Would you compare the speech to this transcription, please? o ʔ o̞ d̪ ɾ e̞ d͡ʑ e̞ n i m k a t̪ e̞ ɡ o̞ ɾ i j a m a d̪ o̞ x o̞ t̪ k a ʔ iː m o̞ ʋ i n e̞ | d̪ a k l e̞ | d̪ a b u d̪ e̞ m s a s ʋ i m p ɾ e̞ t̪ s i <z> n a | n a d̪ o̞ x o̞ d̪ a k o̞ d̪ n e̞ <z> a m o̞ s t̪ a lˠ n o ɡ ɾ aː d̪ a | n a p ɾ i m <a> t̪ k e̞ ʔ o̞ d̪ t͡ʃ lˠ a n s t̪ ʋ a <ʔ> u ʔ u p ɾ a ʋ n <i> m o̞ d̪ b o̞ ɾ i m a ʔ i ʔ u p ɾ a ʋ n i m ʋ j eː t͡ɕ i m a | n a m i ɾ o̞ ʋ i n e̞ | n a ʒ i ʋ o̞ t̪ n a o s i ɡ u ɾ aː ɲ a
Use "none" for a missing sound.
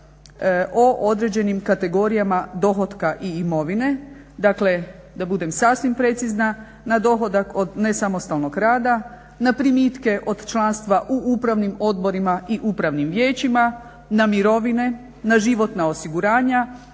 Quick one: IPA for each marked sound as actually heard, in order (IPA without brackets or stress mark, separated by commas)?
z, s, i, ʔ, i